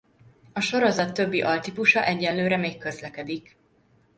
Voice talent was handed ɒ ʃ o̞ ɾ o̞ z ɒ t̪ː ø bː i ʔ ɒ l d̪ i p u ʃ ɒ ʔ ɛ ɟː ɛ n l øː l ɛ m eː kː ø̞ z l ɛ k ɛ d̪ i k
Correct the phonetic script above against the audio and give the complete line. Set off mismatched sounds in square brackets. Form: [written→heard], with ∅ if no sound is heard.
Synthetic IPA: ɒ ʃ o̞ ɾ o̞ z ɒ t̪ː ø bː i ʔ ɒ l [d̪→t̪] i p u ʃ ɒ ʔ ɛ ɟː ɛ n l øː [l→ɾ] ɛ m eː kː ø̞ z l ɛ k ɛ d̪ i k